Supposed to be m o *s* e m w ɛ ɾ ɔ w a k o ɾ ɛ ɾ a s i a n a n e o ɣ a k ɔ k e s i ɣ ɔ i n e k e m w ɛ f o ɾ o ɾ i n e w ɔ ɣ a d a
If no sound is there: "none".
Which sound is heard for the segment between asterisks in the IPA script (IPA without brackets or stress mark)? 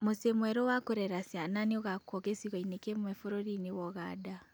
s